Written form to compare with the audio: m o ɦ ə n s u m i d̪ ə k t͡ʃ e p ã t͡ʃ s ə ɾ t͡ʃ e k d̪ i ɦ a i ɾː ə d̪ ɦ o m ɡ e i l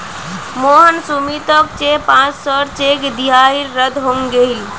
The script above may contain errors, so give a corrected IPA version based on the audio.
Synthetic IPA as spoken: m o ɦ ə n s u m i t̪ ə k t͡ʃ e p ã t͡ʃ s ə ɾ t͡ʃ e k d̪ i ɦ a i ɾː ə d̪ ɦ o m ɡ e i l